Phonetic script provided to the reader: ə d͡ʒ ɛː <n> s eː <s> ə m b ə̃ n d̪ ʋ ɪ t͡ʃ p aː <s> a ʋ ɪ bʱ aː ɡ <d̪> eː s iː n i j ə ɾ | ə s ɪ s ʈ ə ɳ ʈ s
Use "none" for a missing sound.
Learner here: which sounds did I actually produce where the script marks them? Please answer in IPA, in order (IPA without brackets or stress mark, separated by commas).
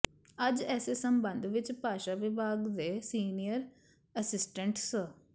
none, s, ʃ, d̪